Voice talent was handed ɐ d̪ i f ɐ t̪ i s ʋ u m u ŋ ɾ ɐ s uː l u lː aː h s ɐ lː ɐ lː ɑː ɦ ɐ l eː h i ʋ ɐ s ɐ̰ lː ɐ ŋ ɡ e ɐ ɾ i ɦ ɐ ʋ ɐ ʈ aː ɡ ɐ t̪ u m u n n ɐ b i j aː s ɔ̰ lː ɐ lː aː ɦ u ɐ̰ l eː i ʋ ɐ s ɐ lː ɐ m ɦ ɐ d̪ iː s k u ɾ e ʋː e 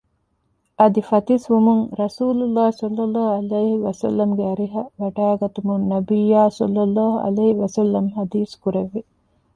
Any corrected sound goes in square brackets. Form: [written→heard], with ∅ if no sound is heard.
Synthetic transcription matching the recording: ɐ d̪ i f ɐ t̪ i s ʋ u m u ŋ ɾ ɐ s uː l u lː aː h s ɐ lː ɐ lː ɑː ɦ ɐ l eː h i ʋ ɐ s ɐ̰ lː ɐ [ŋ→m] ɡ e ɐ ɾ i ɦ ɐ ʋ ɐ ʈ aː ɡ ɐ t̪ u m u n n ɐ b i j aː s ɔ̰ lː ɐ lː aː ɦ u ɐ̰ l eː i ʋ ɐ s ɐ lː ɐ m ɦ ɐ d̪ iː s k u ɾ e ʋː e

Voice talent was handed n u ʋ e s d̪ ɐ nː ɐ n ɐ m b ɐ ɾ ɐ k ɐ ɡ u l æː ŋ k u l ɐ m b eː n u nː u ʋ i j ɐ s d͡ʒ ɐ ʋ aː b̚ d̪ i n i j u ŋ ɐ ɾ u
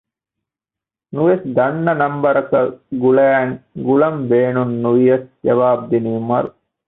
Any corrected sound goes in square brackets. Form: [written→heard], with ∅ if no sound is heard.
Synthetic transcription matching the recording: n u ʋ e s d̪ ɐ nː ɐ n ɐ m b ɐ ɾ ɐ k ɐ ɡ u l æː ŋ [k→ɡ] u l ɐ m b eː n u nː u ʋ i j ɐ s d͡ʒ ɐ ʋ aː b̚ d̪ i n i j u [ŋ→m] ɐ ɾ u

